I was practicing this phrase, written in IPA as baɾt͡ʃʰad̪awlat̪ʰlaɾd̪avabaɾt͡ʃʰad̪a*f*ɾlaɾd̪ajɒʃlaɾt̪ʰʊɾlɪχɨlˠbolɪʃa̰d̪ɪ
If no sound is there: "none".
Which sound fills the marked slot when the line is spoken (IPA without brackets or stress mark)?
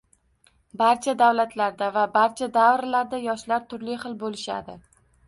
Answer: v